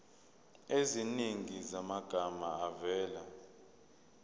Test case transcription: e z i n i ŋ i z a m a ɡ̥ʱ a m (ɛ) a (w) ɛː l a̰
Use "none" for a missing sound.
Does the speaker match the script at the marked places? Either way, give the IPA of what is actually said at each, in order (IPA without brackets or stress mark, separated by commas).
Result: a, v